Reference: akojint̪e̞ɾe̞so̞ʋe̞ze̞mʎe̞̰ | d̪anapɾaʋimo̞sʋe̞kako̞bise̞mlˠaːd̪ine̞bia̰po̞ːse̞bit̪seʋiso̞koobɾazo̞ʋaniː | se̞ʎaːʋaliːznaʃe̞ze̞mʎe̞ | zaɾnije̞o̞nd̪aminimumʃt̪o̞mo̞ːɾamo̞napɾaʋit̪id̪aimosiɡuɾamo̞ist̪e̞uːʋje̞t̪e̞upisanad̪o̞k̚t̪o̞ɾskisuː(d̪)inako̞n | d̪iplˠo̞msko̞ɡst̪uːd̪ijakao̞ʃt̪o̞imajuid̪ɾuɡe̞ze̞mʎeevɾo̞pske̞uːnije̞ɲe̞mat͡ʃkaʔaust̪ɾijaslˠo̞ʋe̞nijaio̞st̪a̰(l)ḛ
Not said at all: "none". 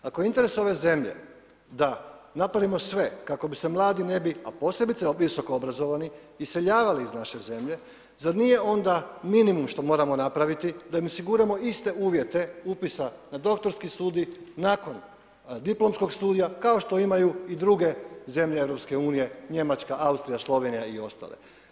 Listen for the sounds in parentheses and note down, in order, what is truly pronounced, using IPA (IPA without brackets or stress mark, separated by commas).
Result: d̪, l